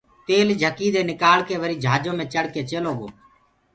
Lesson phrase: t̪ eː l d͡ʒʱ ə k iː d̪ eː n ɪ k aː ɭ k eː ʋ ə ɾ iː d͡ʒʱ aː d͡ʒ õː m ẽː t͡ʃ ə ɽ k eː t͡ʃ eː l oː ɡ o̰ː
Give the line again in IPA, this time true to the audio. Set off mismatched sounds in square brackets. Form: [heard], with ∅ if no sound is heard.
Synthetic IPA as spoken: t̪ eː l d͡ʒʱ ə k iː d̪ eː n ɪ k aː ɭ k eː ʋ ə ɾ iː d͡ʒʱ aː d͡ʒ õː m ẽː t͡ʃ ə ɽ k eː t͡ʃ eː l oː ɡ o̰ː